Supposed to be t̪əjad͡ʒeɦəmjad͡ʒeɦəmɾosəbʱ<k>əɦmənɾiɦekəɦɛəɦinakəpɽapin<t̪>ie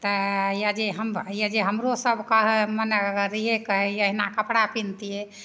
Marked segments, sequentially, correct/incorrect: correct, correct

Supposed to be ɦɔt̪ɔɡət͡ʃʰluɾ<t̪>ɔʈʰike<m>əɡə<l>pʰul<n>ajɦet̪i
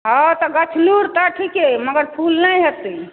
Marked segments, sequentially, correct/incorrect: correct, correct, incorrect, correct

